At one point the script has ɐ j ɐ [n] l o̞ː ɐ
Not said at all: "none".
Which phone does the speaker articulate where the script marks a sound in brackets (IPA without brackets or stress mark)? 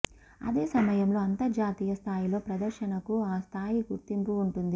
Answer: m